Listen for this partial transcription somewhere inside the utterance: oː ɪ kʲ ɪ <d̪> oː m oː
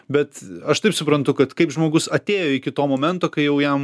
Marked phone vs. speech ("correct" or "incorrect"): incorrect